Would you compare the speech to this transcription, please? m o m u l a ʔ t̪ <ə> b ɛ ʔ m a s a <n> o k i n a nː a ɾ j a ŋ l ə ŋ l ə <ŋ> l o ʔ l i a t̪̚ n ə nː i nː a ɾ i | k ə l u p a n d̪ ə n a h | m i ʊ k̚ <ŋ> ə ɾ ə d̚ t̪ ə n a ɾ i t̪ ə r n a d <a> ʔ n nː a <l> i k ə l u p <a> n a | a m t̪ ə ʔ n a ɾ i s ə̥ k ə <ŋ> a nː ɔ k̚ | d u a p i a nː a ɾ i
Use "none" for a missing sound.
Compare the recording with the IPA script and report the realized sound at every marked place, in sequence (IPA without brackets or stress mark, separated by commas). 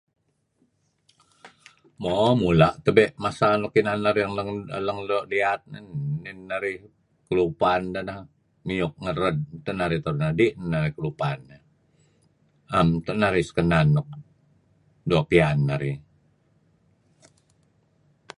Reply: ə, n, ŋ, ŋ, i, ɾ, a, n